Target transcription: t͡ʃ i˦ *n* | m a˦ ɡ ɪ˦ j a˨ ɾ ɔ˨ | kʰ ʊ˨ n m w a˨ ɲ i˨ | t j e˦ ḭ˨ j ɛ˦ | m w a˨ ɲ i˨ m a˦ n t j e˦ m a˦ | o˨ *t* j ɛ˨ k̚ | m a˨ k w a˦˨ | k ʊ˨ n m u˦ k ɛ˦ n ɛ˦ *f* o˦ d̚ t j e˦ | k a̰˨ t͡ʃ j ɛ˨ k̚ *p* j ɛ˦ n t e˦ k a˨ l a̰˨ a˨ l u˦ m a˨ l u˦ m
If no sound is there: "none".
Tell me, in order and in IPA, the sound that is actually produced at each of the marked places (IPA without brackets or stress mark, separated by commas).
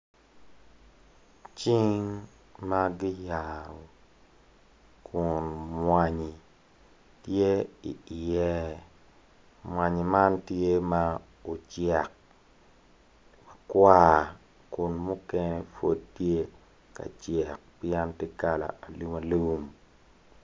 ŋ, t͡ʃ, f, p